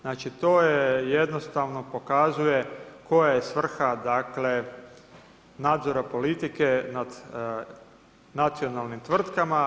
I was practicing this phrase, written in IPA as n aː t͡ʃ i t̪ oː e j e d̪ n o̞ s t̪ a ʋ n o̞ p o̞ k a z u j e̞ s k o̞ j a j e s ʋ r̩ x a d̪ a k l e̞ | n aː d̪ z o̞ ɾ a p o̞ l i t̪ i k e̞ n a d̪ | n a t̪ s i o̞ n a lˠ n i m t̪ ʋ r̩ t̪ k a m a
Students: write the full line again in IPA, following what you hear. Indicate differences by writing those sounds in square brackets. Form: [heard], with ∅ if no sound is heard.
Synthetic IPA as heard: n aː t͡ʃ i t̪ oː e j e d̪ n o̞ s t̪ a ʋ n o̞ p o̞ k a z u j e̞ [∅] k o̞ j a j e s ʋ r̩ x a d̪ a k l e̞ | n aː d̪ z o̞ ɾ a p o̞ l i t̪ i k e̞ n a d̪ | n a t̪ s i o̞ n a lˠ n i m t̪ ʋ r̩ t̪ k a m a